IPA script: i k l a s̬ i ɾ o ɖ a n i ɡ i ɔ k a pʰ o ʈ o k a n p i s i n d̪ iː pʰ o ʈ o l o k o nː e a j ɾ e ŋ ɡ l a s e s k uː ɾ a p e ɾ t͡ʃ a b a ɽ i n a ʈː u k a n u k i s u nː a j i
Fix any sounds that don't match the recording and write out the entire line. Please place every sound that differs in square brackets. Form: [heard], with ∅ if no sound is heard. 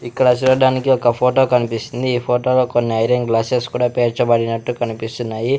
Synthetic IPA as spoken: i k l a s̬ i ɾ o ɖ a n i [k] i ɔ k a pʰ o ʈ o k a n p i s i n d̪ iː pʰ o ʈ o l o k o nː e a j ɾ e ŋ ɡ l a s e s k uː [ɽ] a p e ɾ t͡ʃ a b a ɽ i n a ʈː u k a n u [p] i s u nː a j i